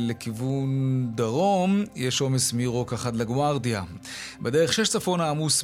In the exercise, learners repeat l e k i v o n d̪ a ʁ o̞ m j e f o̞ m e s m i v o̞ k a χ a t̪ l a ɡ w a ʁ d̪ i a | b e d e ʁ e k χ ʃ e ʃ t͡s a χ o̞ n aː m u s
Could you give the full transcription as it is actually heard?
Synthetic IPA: l e k i v u n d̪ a ʁ o̞ m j e ʃ o̞ m e s m i ʁ o̞ k a χ a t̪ l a ɡ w a ʁ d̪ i a | b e d e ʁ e χ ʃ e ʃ t͡s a f o̞ n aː m u s